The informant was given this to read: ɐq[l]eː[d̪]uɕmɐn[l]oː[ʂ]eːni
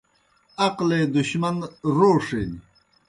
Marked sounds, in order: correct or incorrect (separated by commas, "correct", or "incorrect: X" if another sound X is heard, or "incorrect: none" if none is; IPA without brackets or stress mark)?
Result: correct, correct, incorrect: ɾ, correct